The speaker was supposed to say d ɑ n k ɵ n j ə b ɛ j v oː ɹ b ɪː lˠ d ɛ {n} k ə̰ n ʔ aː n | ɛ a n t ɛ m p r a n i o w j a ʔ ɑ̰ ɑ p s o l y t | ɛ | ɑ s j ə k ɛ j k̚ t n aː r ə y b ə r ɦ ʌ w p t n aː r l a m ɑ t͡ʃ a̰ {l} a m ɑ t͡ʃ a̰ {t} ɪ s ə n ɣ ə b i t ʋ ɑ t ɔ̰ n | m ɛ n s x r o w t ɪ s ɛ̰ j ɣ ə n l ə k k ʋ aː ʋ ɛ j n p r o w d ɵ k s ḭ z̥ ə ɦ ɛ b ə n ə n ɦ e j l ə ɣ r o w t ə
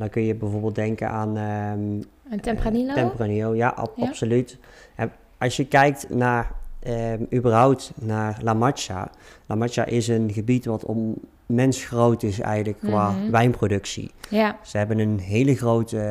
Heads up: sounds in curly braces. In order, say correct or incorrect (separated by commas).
incorrect, correct, incorrect